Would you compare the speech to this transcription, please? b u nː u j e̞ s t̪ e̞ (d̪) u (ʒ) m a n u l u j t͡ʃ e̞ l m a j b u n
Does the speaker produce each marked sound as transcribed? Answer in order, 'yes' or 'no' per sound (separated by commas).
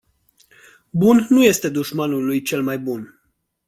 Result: yes, no